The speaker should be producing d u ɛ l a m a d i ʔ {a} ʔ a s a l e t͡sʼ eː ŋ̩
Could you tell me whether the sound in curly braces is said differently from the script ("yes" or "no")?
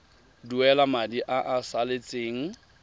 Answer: no